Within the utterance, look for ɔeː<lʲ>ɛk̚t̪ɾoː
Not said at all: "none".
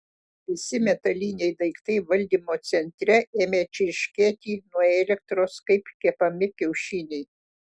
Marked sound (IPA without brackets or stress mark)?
lʲ